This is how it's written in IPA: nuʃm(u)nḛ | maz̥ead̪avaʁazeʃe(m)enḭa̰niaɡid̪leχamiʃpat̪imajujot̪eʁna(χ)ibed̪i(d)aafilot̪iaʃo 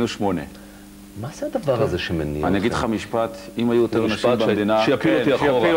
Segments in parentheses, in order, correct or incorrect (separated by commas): incorrect, correct, incorrect, incorrect